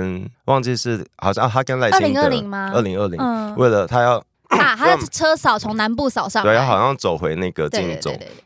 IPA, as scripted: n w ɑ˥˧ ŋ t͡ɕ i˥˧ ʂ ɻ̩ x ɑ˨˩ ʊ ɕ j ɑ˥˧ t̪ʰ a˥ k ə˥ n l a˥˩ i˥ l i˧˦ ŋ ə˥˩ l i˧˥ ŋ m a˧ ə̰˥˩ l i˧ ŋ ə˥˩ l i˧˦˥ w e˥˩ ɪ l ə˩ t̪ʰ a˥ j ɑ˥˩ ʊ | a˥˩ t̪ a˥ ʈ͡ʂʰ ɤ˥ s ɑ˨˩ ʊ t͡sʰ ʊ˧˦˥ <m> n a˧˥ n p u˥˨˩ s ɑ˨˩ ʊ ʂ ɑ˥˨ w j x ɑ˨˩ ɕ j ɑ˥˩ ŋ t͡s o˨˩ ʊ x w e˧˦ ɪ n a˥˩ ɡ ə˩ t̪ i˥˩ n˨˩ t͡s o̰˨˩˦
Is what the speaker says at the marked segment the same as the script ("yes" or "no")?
no